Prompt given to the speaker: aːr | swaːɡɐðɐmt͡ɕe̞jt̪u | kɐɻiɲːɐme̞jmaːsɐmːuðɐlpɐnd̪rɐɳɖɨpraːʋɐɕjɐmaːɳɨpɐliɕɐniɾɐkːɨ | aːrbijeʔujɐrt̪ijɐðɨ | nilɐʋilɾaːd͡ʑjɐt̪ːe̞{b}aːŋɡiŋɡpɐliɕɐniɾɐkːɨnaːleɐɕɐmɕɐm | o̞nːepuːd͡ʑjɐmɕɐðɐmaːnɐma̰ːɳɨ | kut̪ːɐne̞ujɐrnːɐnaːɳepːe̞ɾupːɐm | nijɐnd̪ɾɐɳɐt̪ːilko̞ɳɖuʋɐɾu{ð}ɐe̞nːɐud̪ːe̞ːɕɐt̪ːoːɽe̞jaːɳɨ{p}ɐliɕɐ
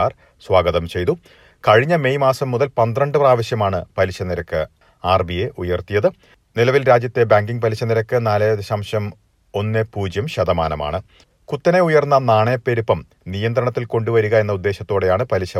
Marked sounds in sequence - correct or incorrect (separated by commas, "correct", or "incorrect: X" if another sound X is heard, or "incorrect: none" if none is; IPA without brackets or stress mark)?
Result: correct, incorrect: ɣ, correct